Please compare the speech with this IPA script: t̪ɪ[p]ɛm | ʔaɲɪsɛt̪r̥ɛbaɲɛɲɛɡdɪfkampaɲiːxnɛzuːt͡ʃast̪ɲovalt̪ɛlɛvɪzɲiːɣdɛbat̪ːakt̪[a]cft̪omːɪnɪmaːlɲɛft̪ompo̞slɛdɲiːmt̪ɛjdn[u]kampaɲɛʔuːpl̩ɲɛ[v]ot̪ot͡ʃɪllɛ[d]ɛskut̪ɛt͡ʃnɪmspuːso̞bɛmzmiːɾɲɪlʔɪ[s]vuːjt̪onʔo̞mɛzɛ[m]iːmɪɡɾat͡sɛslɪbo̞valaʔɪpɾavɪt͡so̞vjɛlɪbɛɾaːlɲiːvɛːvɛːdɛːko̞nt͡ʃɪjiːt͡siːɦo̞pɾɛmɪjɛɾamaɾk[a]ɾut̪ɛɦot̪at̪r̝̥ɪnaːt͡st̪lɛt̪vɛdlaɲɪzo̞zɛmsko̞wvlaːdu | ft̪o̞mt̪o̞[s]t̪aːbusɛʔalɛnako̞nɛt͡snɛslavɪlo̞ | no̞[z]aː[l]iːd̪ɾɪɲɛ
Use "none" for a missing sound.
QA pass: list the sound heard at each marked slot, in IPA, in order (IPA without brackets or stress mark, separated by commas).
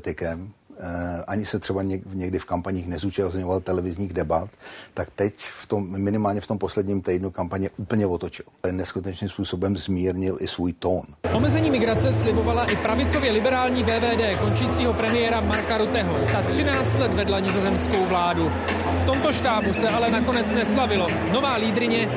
k, ɛ, u, v, n, s, ɲ, a, ʃ, v, l